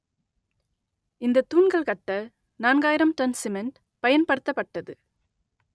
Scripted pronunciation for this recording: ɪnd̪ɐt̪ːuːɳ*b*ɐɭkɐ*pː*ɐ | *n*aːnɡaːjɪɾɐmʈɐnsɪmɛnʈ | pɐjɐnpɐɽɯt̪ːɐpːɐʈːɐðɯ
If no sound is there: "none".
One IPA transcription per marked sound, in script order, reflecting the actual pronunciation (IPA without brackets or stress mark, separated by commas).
ɡ, ʈː, n